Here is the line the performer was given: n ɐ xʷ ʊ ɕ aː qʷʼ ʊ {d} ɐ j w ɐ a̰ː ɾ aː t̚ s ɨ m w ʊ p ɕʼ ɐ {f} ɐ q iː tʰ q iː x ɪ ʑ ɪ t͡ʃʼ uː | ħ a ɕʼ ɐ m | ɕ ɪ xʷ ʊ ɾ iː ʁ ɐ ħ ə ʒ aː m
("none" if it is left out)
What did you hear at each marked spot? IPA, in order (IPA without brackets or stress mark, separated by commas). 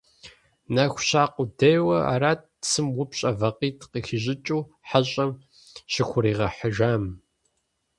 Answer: d, v